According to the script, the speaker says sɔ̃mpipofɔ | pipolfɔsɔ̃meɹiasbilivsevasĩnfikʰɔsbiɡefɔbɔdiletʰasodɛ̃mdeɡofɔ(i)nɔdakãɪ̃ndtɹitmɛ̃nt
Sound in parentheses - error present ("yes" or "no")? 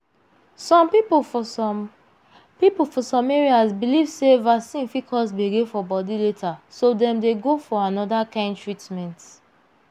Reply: yes